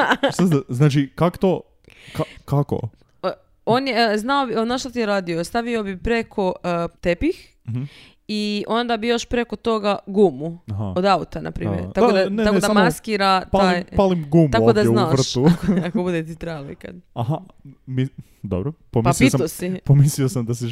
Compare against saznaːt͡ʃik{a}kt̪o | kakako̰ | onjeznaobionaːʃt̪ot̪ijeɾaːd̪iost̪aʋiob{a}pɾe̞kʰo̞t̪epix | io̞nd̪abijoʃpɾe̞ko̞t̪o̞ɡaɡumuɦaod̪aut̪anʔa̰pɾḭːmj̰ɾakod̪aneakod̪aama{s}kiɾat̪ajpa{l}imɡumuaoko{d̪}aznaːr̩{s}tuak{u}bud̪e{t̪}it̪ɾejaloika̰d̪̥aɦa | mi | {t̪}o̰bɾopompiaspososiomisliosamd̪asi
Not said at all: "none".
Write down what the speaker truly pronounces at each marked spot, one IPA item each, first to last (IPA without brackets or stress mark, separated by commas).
a, i, s, l, d̪, ʃ, o, t̪, d̪